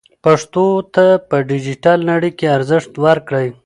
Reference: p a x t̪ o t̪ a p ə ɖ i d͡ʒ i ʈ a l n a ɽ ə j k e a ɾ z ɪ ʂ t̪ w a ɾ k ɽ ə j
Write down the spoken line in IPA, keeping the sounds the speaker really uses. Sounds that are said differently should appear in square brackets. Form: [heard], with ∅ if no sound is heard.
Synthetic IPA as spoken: p a [ʂ] t̪ o t̪ a p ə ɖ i d͡ʒ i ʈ a l n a ɽ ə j k e a ɾ z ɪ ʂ t̪ w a ɾ k ɽ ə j